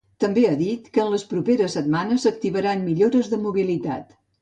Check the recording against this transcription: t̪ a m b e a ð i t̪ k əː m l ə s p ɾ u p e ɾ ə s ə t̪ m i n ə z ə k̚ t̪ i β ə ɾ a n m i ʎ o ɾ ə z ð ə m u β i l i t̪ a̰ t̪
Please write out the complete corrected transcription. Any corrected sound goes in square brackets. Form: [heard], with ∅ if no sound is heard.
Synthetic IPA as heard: t̪ [ə] m b e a ð i t̪ k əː [n] l ə s p ɾ u p e ɾ ə s ə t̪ m [a] n ə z ə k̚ t̪ i β ə ɾ a n m i ʎ o ɾ ə z ð ə m u β i l i t̪ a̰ t̪